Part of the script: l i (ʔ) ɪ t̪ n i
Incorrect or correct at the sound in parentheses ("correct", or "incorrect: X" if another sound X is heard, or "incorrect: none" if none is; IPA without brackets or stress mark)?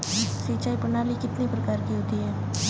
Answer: incorrect: k